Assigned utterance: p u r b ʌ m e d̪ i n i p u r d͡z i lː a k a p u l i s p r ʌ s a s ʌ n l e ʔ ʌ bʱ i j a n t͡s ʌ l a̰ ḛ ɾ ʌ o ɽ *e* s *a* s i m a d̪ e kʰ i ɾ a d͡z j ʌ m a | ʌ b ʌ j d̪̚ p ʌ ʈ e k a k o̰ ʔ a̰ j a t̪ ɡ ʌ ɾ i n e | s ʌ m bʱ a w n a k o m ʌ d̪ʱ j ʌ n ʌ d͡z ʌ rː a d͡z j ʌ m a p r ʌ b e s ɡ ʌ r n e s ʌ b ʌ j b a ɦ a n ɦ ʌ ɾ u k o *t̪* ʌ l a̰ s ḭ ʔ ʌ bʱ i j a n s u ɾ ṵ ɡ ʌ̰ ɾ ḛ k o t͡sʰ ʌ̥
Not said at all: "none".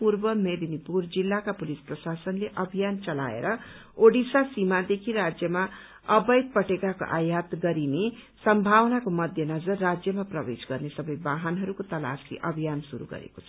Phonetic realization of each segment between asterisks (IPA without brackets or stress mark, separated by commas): i, a, t̪